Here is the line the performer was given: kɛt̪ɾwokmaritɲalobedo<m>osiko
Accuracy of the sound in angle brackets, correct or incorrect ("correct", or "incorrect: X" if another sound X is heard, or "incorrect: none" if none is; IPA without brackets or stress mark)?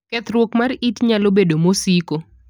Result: correct